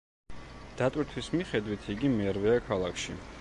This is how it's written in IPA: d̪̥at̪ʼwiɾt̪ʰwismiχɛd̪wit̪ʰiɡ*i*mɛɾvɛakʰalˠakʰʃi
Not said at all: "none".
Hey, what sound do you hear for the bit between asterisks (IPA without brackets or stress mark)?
i